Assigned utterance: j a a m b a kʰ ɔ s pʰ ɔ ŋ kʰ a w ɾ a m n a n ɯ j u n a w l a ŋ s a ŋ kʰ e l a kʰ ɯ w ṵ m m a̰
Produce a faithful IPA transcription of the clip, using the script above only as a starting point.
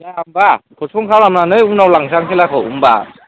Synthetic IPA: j a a m b a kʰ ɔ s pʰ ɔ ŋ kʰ a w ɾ a m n a n ɯ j u n a w l a ŋ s a ŋ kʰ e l a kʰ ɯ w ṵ m b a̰